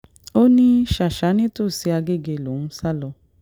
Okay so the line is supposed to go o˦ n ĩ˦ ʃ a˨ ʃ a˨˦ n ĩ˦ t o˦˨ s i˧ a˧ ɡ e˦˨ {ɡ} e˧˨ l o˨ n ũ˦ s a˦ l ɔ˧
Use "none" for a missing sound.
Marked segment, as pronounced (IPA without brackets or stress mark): ɡ